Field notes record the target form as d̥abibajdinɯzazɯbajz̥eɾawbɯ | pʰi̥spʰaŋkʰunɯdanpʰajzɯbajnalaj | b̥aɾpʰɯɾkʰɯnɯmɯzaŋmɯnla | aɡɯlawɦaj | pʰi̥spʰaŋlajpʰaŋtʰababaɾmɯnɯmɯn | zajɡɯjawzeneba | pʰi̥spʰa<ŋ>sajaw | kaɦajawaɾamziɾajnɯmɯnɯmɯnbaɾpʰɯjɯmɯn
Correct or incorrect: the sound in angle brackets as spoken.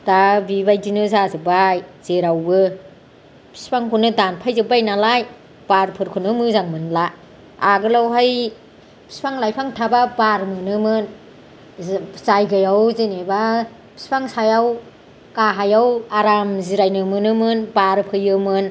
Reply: correct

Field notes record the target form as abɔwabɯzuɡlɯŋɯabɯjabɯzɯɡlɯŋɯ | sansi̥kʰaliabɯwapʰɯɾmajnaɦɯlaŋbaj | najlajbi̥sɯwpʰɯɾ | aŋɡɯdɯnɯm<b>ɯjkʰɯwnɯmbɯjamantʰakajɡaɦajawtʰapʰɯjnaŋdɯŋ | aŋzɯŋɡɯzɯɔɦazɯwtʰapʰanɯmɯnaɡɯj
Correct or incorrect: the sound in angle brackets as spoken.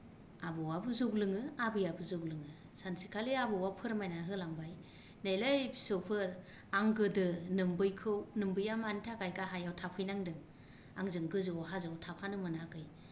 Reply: correct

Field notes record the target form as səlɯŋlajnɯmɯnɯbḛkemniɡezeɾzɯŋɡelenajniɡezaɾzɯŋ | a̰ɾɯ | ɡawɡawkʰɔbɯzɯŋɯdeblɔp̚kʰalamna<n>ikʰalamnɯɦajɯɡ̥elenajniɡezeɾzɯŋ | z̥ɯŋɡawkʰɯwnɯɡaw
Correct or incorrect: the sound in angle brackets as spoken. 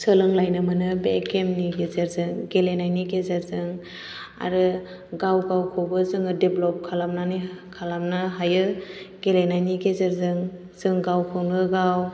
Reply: correct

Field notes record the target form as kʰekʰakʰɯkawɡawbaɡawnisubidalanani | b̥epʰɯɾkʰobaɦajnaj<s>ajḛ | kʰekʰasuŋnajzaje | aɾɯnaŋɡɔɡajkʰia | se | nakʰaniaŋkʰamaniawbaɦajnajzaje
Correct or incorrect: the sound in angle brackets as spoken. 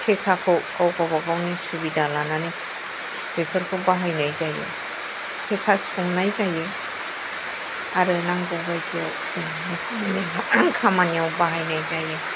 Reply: incorrect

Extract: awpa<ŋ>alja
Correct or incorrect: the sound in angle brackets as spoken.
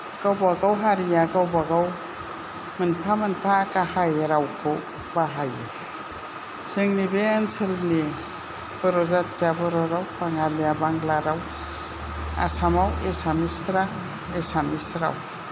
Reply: correct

